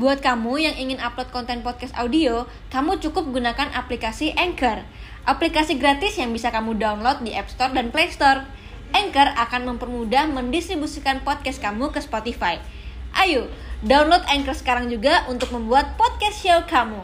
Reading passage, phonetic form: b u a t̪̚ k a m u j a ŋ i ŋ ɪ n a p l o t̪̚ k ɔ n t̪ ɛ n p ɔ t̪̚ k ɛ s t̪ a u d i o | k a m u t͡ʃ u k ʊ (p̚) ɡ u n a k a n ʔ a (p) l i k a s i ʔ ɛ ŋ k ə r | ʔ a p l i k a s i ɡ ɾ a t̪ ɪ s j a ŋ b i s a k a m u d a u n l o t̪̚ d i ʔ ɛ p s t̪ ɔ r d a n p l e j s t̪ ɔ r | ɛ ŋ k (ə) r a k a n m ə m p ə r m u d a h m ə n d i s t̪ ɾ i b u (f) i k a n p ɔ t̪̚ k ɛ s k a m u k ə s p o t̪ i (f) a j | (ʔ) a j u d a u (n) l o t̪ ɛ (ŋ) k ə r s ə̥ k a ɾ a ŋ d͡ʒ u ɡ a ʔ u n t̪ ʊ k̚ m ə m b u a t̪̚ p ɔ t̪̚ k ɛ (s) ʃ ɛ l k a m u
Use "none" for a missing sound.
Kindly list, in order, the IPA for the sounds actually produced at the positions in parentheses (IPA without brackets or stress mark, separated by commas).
p̚, p, ə, s, f, ʔ, n, ŋ, s